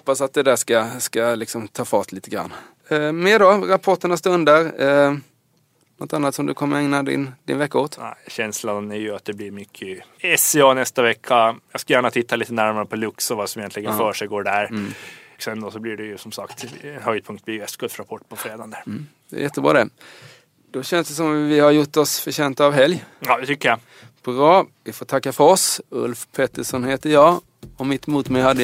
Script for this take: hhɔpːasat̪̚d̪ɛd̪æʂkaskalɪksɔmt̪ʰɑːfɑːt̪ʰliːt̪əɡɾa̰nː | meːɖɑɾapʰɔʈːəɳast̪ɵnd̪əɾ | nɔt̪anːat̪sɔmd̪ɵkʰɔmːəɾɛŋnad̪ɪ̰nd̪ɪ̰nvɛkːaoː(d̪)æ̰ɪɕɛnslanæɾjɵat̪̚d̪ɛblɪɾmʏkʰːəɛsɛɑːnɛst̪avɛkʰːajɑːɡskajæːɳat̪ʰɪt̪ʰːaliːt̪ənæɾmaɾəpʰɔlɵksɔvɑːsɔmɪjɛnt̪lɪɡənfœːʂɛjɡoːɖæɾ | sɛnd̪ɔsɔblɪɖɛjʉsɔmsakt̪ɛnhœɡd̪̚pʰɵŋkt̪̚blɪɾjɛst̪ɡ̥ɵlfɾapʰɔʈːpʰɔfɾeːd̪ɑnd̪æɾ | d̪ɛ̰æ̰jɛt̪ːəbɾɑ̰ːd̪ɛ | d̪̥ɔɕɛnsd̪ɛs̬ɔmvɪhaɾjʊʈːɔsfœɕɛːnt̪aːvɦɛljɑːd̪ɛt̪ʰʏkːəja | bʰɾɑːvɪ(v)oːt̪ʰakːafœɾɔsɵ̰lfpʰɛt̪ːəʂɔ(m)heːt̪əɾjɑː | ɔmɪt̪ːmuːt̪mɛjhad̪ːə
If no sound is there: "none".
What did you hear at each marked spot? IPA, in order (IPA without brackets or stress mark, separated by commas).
t̪, f, n